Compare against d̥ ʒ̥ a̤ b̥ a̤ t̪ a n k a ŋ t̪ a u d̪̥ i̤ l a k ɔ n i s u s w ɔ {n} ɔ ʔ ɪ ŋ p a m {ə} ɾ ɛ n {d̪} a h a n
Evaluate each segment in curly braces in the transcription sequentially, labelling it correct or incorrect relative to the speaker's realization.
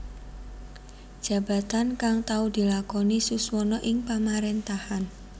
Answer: correct, incorrect: a, incorrect: t̪

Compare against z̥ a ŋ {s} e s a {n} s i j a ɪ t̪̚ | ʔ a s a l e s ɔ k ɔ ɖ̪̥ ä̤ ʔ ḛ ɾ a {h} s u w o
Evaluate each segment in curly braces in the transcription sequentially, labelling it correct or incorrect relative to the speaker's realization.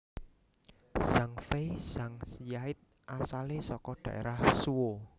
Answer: incorrect: f, incorrect: ŋ, correct

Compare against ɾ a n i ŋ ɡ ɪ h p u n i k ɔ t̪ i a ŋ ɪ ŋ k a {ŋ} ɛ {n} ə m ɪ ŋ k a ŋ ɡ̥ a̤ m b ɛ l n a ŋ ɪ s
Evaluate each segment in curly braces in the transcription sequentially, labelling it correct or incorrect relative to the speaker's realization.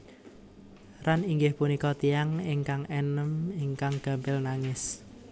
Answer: correct, correct

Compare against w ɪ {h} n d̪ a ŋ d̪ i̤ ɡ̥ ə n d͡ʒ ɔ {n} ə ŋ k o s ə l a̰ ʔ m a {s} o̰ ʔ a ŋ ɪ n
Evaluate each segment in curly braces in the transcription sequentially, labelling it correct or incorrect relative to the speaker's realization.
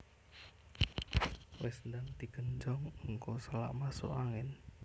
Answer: incorrect: s, incorrect: ŋ, correct

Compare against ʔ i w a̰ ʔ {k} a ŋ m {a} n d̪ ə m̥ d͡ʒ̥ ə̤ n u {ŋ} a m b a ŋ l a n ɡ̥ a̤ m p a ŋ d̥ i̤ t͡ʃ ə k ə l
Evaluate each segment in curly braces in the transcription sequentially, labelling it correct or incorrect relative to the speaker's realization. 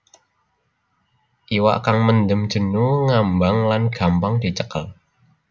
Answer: correct, incorrect: ə, correct

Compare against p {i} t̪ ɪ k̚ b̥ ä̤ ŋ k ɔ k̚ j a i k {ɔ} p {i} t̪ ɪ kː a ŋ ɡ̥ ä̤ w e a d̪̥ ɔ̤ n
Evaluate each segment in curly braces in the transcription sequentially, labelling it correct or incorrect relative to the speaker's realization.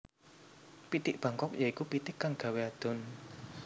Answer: correct, incorrect: u, correct

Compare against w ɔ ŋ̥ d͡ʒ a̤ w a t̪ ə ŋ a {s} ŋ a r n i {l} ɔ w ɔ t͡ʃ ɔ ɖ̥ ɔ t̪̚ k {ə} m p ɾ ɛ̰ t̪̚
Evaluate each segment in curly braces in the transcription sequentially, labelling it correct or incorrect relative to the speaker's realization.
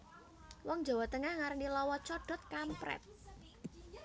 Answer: incorrect: h, correct, incorrect: a

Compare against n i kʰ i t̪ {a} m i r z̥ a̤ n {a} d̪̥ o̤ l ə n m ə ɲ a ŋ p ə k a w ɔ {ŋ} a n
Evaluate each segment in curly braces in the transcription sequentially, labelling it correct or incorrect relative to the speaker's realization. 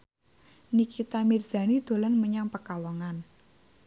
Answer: correct, incorrect: i, correct

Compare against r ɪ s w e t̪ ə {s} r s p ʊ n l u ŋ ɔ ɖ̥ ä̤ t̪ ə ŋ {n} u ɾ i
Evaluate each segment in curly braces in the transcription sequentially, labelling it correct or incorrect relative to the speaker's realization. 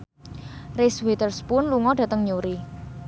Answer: incorrect: none, incorrect: ɲ

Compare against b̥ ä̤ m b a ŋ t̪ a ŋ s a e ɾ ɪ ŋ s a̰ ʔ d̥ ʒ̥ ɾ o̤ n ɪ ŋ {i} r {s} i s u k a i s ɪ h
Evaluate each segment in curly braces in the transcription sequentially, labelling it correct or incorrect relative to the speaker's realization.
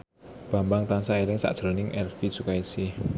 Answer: incorrect: ɛ, incorrect: f

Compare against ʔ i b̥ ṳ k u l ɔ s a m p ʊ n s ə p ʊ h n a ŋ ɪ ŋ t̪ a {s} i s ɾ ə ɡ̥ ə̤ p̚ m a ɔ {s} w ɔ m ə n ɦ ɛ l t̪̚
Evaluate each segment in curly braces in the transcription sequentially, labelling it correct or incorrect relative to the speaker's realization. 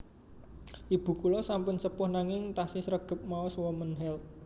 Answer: correct, correct

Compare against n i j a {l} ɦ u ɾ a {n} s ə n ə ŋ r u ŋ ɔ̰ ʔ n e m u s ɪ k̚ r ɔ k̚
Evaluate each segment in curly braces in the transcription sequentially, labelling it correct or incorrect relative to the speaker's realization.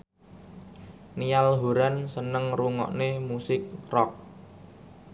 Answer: correct, correct

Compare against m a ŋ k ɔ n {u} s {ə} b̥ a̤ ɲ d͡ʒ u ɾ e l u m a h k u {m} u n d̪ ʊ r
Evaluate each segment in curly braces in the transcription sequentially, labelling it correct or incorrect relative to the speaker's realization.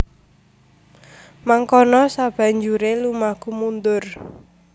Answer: incorrect: ɔ, incorrect: a, correct

